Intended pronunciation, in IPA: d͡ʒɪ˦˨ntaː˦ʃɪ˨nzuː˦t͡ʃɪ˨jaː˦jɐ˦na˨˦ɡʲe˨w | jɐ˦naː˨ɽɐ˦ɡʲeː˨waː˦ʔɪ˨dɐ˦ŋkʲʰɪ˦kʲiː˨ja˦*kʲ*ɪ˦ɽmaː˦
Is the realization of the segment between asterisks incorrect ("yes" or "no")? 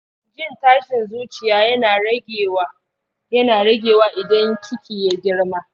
yes